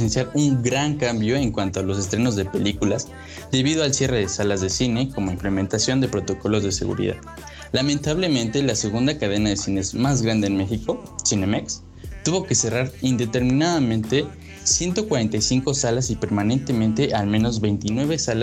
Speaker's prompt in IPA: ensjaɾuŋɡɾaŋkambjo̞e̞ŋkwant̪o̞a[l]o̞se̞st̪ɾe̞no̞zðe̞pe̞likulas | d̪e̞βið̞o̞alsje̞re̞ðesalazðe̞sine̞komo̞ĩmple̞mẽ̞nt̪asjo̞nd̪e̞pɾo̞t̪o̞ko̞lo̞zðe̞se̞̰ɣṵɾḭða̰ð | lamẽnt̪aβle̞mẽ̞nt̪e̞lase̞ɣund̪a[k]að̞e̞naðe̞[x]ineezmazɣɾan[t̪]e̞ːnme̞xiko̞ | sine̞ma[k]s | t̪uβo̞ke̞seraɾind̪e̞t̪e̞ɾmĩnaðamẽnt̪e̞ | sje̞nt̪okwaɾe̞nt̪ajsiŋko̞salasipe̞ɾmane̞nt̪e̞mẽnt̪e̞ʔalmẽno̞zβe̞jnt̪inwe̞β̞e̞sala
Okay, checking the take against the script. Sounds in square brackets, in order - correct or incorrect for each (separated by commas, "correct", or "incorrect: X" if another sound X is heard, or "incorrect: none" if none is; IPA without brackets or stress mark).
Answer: correct, correct, incorrect: s, incorrect: d̪, correct